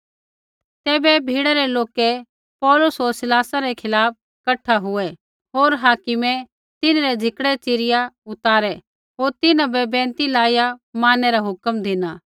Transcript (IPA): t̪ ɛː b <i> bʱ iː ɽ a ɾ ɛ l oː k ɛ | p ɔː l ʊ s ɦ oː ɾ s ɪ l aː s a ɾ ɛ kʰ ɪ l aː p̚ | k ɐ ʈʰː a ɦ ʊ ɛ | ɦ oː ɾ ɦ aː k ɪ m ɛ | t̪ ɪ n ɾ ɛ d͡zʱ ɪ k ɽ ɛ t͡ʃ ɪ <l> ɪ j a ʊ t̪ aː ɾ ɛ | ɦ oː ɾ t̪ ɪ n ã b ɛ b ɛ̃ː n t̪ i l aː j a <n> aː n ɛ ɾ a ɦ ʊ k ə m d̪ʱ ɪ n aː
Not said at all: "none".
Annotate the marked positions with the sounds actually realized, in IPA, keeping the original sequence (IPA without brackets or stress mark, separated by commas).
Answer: ɛ, ɾ, m